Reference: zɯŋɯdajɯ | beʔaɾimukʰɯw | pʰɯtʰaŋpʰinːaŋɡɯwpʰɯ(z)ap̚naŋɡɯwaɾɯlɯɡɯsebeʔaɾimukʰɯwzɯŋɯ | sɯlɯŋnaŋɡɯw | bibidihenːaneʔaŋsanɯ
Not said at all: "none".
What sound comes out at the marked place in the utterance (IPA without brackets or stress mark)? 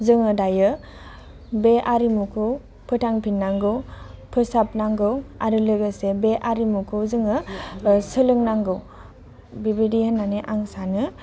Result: s